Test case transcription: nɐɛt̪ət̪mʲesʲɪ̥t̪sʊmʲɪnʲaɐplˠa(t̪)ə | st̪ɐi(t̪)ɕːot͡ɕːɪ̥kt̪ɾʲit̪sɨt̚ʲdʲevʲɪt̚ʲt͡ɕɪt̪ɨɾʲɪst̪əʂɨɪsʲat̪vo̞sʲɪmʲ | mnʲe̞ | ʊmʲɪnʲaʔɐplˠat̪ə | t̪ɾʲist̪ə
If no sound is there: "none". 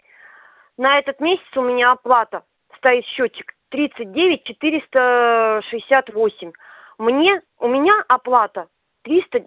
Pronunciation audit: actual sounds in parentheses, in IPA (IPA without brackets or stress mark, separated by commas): t̪, t̪